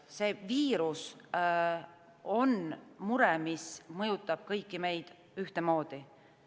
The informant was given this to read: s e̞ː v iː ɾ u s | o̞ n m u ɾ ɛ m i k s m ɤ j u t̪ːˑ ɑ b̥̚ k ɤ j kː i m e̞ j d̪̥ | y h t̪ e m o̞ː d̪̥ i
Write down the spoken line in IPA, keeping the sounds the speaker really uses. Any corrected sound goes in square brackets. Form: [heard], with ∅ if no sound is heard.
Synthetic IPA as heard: s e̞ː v iː ɾ u s | o̞ n m u ɾ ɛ m i [∅] s m ɤ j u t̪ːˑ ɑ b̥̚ k ɤ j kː i m e̞ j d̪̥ | y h t̪ e m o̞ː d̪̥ i